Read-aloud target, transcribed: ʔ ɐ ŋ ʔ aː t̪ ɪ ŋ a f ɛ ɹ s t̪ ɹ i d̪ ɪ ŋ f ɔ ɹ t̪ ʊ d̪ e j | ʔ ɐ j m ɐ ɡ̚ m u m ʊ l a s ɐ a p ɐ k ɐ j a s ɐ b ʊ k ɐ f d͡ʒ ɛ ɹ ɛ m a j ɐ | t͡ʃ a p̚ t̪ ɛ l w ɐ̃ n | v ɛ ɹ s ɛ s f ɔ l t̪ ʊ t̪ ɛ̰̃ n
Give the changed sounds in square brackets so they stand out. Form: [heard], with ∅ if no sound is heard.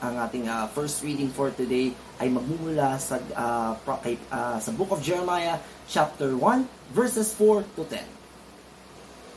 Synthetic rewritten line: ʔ ɐ ŋ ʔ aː t̪ ɪ ŋ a f ɛ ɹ s t̪ ɹ i d̪ ɪ ŋ f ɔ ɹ t̪ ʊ d̪ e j | ʔ ɐ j m ɐ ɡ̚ m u m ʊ l a s ɐ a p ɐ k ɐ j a s ɐ b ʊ k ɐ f d͡ʒ ɛ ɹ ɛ m a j ɐ | t͡ʃ a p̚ t̪ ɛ [ɹ] w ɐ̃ n | v ɛ ɹ s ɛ s f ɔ [ɹ] t̪ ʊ t̪ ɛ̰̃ n